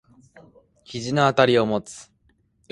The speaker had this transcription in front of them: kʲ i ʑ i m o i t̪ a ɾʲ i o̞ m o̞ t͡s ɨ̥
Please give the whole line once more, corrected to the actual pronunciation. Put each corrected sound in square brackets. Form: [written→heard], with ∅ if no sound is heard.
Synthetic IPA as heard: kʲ i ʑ i [m→n] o [i→a] t̪ a ɾʲ i o̞ m o̞ t͡s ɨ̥